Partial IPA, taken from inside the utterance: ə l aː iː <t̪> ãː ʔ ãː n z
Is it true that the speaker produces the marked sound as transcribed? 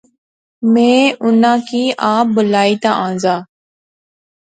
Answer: yes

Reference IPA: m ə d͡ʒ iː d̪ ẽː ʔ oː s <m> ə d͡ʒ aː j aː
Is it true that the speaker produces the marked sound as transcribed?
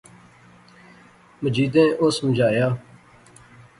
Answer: yes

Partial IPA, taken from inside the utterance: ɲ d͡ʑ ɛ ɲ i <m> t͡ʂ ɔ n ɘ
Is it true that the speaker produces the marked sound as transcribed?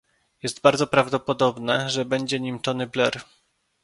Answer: yes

